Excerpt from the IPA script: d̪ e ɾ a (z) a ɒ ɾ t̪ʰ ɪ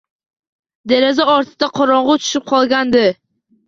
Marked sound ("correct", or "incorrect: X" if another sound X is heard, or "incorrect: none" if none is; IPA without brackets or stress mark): correct